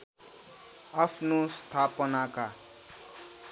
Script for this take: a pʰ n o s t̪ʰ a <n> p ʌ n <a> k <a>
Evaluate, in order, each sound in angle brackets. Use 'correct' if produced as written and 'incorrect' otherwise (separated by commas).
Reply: incorrect, correct, correct